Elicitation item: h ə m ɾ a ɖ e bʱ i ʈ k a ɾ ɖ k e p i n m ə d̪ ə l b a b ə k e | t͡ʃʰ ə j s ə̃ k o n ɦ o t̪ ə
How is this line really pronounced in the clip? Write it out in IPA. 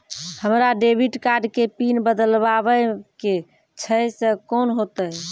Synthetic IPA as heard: h ə m ɾ a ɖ e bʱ i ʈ k a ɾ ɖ k e p i n b ə d̪ ə l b a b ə k e | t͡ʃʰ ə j s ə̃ k o n ɦ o t̪ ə